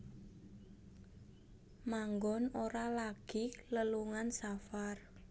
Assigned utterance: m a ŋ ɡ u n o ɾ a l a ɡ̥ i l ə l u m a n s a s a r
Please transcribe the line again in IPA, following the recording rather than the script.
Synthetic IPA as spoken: m a ŋ ɡ ɔ n o ɾ a l a ɡ̥ i l ə l u ŋ a n s a f a r